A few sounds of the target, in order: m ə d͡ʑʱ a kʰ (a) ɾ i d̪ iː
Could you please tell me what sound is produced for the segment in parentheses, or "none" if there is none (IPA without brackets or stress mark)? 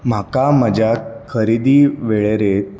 ə